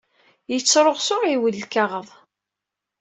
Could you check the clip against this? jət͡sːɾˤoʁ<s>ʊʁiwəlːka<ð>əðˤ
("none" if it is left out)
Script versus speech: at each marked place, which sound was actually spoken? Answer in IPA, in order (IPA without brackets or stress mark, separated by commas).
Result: s, ʁ